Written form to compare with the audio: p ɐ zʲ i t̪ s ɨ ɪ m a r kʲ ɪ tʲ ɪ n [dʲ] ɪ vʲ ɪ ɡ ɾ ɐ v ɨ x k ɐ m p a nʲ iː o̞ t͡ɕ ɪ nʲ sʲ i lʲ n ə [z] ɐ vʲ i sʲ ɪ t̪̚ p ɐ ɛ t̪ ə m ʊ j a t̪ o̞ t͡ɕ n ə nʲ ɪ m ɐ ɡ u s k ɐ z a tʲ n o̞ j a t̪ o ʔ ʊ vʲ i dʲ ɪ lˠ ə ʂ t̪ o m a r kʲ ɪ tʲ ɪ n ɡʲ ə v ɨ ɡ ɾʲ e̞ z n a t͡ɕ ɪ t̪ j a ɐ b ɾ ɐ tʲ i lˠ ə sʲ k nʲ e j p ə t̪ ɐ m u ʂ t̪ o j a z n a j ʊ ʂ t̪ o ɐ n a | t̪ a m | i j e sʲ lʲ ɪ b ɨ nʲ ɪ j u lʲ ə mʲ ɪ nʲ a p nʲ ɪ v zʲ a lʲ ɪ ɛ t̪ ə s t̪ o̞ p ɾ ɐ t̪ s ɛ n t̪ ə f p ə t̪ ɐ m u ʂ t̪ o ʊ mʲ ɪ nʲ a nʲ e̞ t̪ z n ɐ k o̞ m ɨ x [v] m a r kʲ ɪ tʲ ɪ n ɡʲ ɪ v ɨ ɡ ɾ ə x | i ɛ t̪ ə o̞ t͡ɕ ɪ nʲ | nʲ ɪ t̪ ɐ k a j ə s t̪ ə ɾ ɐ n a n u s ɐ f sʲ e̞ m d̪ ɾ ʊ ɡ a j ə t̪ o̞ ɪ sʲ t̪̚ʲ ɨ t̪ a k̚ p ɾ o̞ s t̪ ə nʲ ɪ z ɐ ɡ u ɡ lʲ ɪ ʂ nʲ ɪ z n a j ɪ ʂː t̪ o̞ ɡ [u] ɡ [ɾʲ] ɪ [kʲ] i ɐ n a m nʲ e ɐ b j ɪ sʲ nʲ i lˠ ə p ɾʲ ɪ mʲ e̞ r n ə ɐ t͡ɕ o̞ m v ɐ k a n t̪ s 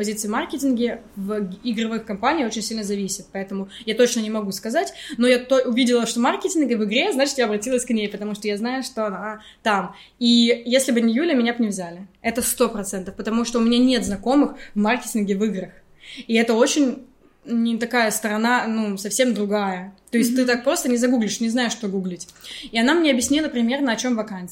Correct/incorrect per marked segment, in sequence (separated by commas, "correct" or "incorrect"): incorrect, correct, correct, correct, incorrect, incorrect